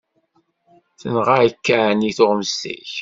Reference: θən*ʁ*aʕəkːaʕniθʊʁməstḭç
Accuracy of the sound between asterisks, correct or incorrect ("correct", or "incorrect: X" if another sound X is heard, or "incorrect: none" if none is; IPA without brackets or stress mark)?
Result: correct